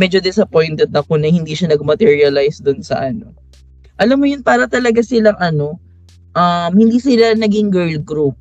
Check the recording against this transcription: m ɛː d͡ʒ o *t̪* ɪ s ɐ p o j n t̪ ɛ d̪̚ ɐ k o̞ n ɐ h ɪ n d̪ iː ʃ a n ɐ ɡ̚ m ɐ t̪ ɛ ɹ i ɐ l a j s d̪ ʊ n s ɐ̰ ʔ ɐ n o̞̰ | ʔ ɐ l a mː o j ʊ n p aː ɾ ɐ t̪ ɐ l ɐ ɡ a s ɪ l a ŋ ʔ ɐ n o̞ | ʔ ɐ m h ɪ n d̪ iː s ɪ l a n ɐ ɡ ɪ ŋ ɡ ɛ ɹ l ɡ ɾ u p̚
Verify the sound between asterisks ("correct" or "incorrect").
incorrect